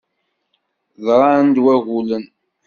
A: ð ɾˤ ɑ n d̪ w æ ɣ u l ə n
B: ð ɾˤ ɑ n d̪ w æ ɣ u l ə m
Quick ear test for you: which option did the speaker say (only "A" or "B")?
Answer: A